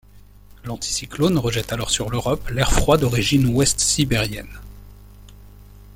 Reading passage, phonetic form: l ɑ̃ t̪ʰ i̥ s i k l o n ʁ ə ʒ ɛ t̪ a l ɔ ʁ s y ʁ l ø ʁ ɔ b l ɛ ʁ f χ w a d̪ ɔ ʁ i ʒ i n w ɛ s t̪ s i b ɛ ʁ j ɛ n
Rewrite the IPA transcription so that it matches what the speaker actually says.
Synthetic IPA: l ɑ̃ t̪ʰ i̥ s i k l o n ʁ ə ʒ ɛ t̪ a l ɔ ʁ s y ʁ l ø ʁ ɔ p l ɛ ʁ f χ w a d̪ ɔ ʁ i ʒ i n w ɛ s t̪ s i b ɛ ʁ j ɛ n